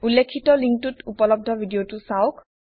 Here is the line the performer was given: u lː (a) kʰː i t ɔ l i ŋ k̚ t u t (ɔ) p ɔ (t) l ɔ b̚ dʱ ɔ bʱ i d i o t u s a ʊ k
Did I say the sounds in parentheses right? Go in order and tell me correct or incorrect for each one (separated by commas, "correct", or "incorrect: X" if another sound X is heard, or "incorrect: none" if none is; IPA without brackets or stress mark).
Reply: incorrect: e, incorrect: u, incorrect: none